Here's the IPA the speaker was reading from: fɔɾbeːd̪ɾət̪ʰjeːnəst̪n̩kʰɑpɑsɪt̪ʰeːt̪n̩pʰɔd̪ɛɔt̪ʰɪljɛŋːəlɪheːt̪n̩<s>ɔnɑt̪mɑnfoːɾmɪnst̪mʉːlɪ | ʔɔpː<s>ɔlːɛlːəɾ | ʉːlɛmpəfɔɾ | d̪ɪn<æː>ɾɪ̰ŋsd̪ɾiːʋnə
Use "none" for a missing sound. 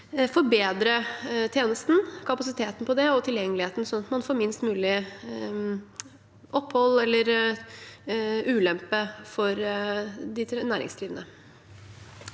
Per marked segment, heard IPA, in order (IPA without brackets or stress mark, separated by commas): s, h, æː